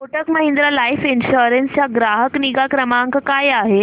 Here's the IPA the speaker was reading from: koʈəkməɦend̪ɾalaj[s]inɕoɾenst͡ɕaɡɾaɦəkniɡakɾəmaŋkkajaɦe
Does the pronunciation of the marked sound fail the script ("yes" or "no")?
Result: yes